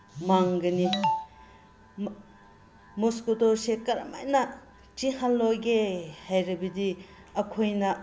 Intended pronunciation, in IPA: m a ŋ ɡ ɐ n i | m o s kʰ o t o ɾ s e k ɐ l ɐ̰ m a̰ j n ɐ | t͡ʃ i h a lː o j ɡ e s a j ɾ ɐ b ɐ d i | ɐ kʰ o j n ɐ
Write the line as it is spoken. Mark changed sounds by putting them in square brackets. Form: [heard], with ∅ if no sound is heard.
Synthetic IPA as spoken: m a ŋ ɡ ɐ n i | m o s [k] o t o ɾ s e k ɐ [ɾ] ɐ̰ m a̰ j n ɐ | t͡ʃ i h a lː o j ɡ e [h] a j ɾ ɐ b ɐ d i | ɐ kʰ o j n ɐ

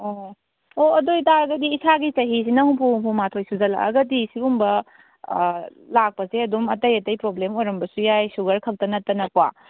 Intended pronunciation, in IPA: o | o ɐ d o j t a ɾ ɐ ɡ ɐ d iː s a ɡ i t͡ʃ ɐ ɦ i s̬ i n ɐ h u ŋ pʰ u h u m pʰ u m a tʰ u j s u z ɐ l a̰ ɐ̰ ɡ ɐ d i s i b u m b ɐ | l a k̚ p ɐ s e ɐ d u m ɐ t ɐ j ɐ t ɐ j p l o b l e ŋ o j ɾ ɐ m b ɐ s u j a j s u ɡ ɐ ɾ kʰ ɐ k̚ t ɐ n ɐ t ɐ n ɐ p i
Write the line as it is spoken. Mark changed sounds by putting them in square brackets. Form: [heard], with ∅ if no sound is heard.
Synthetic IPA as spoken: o | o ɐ d o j t a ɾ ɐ ɡ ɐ d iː s a ɡ i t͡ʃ ɐ ɦ i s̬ i n ɐ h u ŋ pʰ u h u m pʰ u m a tʰ [o] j s u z ɐ l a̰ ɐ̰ ɡ ɐ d i s i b u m b ɐ | l a k̚ p ɐ s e ɐ d u m ɐ t ɐ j ɐ t ɐ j p [ɾ] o b l e [m] o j ɾ ɐ m b ɐ s u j a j s u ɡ ɐ ɾ kʰ ɐ k̚ t ɐ n ɐ t ɐ n ɐ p [a]

